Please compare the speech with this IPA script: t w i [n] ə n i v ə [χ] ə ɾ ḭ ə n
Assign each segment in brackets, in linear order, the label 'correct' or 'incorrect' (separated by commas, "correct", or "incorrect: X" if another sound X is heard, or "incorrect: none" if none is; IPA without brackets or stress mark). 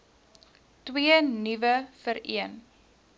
incorrect: none, incorrect: f